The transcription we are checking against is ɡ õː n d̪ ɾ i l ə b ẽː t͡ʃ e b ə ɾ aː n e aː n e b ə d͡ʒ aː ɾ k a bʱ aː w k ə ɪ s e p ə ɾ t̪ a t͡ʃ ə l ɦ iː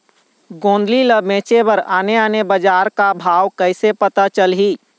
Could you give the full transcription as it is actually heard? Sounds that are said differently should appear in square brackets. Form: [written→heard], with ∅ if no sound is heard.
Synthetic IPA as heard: ɡ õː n d̪ [ɾ→l] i l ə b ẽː t͡ʃ e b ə ɾ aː n e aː n e b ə d͡ʒ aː ɾ k a bʱ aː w k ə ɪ s e p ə [ɾ→∅] t̪ a t͡ʃ ə l ɦ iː